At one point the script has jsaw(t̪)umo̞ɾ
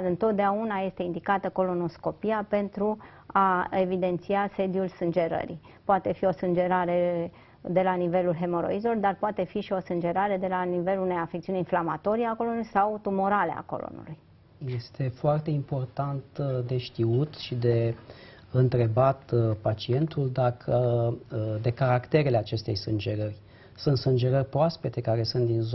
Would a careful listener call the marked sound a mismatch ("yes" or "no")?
no